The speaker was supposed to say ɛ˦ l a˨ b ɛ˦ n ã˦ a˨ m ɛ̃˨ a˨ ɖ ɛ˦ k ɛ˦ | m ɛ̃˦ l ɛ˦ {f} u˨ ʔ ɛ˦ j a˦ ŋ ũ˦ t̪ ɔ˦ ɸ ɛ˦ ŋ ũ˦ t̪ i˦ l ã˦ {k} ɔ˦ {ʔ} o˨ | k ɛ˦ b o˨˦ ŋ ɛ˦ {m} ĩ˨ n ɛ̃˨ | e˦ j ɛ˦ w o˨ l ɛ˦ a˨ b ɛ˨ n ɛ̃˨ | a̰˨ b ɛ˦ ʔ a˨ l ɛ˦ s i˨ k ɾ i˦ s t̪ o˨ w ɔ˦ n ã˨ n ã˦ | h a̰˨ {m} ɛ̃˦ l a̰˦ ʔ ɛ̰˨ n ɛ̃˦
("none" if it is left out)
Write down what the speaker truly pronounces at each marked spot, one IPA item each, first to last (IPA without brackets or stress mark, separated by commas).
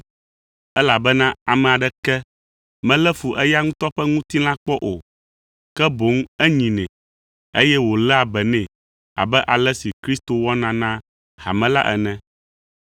f, k͡p, ʔ, ɲ, m